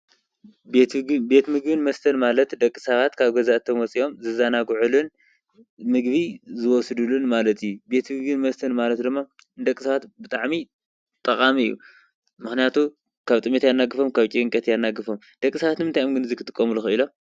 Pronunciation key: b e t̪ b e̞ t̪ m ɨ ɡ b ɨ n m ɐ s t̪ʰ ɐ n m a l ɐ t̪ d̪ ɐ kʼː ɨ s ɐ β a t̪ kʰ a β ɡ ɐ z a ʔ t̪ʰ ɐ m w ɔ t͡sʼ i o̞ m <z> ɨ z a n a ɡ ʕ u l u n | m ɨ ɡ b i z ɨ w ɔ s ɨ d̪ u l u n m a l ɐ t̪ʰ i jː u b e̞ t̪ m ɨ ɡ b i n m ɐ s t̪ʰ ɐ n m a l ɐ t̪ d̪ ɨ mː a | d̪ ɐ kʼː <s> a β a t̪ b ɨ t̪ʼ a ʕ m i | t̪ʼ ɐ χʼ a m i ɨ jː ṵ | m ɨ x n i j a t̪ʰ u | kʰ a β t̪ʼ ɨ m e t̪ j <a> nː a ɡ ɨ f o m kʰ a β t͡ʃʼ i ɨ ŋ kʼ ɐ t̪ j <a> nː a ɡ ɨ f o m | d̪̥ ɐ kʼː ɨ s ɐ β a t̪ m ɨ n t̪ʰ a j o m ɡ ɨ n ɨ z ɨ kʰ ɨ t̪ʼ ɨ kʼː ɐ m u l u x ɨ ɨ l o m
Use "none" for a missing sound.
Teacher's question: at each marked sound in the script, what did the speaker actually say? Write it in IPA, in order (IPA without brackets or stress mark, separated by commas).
z, s, a, a